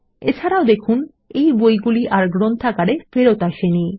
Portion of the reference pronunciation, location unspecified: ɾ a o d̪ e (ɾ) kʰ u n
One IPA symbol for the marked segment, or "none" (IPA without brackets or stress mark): none